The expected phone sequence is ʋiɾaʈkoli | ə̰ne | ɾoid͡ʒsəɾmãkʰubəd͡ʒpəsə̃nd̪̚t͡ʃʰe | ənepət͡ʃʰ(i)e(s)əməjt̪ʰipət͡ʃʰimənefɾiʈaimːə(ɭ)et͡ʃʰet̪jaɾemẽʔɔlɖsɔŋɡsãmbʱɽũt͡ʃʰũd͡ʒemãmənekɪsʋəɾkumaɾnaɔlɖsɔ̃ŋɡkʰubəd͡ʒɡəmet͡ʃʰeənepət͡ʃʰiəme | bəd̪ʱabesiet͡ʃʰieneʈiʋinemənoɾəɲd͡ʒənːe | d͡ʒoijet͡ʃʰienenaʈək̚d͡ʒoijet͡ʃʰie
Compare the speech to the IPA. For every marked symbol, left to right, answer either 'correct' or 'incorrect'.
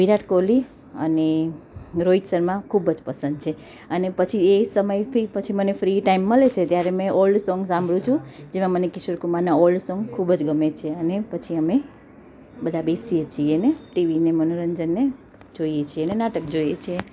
correct, correct, incorrect: l

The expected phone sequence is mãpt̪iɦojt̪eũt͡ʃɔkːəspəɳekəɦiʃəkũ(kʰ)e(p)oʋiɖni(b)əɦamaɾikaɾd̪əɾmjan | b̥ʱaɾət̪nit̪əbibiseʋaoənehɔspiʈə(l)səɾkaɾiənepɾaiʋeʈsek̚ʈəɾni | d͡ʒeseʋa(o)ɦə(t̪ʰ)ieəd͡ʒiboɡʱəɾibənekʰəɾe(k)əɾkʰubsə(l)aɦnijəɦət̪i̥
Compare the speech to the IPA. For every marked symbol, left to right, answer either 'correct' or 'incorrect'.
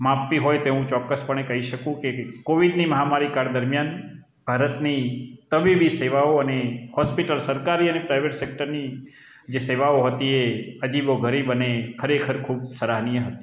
incorrect: k, incorrect: k, incorrect: m, correct, correct, incorrect: t̪, incorrect: kʰ, incorrect: ɾ

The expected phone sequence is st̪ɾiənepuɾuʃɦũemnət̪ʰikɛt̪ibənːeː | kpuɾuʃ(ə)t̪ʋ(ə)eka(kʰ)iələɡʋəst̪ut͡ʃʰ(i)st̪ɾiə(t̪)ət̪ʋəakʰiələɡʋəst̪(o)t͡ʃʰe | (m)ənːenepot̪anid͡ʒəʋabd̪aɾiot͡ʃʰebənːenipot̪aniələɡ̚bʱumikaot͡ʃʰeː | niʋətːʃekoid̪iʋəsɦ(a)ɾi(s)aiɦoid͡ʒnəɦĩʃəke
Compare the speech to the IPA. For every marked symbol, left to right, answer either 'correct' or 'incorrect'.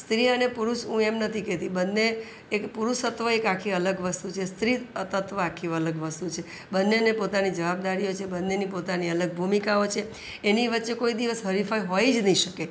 correct, correct, correct, incorrect: e, correct, incorrect: u, incorrect: b, incorrect: ə, incorrect: f

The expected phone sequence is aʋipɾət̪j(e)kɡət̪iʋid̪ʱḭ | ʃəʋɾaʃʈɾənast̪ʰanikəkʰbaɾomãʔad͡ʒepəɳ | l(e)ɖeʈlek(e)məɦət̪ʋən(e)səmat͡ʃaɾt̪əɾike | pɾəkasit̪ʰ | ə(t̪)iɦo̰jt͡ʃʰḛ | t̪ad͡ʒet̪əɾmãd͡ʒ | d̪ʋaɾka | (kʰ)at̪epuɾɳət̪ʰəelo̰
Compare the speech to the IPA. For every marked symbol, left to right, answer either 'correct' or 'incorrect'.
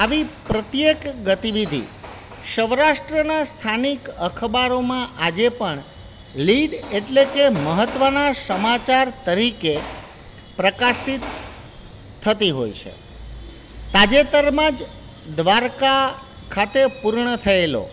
correct, incorrect: i, correct, incorrect: a, correct, correct

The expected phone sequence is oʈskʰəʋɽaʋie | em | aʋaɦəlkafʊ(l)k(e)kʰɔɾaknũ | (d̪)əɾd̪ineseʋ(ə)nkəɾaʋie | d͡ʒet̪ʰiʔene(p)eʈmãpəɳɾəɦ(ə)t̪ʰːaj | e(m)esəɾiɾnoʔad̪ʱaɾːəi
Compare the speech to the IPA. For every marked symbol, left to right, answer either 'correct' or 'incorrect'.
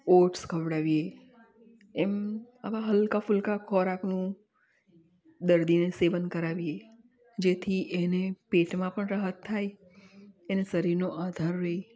correct, incorrect: a, correct, correct, correct, correct, incorrect: n

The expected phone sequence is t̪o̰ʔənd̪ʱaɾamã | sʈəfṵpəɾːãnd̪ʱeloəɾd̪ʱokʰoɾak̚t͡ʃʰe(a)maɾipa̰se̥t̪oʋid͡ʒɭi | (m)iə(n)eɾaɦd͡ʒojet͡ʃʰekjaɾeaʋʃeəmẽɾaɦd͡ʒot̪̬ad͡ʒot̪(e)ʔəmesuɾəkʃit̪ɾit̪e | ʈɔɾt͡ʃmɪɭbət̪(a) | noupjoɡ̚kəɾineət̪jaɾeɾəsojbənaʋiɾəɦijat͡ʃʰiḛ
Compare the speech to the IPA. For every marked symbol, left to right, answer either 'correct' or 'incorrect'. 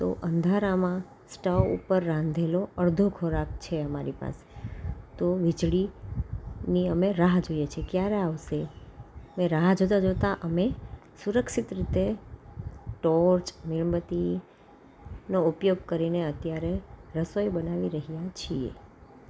incorrect: ə, incorrect: n, incorrect: m, incorrect: a, incorrect: i

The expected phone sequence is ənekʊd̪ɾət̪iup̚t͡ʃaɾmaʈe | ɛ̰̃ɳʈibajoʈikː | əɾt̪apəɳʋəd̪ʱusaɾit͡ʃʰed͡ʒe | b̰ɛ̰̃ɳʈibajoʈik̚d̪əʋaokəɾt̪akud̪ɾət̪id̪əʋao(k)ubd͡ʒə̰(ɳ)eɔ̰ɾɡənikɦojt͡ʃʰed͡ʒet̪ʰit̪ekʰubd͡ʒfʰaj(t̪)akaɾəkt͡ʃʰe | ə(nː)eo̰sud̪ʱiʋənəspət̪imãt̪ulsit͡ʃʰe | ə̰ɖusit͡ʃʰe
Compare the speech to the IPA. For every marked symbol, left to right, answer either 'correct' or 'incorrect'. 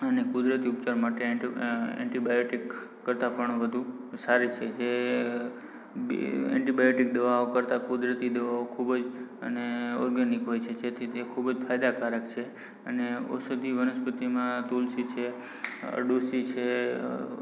incorrect: kʰ, incorrect: n, incorrect: d̪, incorrect: n

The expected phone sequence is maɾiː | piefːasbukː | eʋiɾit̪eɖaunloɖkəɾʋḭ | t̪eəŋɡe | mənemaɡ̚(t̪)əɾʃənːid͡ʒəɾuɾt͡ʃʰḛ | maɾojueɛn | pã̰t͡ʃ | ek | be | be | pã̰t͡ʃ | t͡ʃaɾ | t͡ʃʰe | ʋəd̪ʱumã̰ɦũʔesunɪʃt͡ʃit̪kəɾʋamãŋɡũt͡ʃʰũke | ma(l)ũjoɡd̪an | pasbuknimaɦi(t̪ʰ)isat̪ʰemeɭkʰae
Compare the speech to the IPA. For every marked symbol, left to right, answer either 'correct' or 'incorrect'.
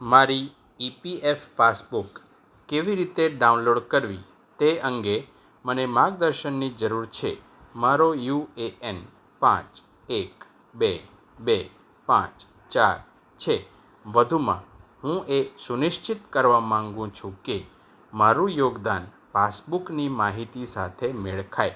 incorrect: d̪, incorrect: ɾ, incorrect: t̪

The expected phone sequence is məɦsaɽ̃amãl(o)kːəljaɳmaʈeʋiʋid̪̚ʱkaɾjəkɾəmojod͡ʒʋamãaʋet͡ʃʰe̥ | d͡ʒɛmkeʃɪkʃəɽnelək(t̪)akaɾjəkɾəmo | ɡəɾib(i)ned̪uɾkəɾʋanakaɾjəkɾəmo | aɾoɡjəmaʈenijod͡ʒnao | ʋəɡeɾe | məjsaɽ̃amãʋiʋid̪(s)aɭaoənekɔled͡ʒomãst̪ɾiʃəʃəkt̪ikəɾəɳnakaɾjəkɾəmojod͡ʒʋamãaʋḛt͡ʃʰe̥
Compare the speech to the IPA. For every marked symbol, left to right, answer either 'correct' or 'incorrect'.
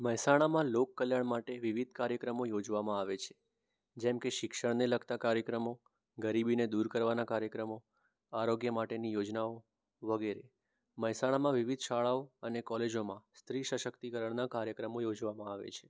correct, correct, correct, incorrect: ʃ

